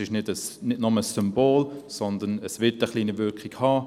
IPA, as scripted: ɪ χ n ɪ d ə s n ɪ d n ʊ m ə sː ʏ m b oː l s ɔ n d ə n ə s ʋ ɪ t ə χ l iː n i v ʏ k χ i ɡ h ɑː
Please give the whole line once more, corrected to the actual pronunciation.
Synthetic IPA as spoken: ɪ ʃ n ɪ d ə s n ɪ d n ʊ m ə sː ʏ m b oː l s ɔ n d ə n ə s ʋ ɪ t ə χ l iː n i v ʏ k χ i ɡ h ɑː